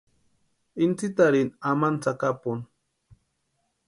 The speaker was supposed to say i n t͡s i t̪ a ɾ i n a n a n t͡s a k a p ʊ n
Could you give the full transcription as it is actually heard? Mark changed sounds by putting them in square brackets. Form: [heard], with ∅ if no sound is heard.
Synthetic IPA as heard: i n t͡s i t̪ a ɾ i n a [m] a n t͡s a k a p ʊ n